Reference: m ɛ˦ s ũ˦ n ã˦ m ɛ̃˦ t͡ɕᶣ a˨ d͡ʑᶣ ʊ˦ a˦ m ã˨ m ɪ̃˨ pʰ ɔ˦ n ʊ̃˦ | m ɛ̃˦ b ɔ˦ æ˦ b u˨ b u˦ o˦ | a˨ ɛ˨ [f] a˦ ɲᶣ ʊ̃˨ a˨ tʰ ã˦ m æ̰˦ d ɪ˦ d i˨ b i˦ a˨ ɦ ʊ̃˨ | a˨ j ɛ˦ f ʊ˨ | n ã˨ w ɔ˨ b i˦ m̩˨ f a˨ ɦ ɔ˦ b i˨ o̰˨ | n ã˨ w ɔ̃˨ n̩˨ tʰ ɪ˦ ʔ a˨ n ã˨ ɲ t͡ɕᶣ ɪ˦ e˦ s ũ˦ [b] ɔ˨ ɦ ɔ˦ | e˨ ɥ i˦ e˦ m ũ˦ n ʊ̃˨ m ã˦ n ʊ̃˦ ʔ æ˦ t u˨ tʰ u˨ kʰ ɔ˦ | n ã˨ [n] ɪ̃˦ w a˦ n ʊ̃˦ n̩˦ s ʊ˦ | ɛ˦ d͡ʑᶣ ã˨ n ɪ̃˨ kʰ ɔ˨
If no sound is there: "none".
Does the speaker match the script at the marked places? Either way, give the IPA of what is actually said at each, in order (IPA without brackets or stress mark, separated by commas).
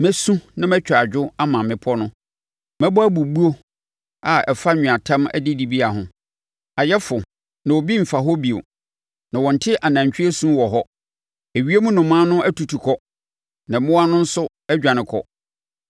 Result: f, w, m